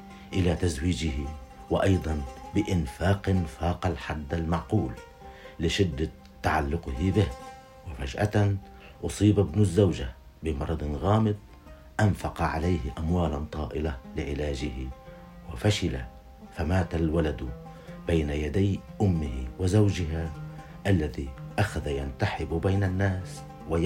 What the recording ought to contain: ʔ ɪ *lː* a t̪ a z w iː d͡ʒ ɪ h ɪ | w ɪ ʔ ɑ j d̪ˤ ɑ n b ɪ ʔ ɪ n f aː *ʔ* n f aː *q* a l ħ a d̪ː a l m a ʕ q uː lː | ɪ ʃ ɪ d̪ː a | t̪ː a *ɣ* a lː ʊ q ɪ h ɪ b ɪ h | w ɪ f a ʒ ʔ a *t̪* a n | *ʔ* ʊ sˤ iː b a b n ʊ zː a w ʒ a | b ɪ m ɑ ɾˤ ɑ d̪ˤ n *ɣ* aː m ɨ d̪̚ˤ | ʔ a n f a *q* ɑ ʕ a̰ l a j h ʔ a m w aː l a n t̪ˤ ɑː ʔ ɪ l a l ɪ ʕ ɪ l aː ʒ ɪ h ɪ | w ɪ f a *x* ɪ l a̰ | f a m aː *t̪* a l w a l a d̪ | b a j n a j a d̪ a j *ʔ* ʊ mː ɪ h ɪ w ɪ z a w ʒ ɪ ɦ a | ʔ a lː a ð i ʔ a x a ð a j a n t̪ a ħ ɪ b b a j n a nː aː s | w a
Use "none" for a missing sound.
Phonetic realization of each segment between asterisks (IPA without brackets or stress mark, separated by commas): l, q, q, ʕ, t̪, ʔ, ɣ, q, ʃ, t̪, ʔ